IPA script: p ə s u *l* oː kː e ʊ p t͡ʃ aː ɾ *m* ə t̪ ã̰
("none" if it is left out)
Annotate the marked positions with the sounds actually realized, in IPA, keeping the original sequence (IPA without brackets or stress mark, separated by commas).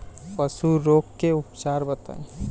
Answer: ɾ, b